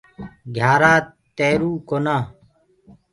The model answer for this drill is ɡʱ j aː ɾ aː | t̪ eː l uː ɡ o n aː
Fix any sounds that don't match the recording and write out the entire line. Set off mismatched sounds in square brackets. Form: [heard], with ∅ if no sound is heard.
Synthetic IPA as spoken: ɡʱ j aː ɾ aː | t̪ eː [ɾ] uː [k] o n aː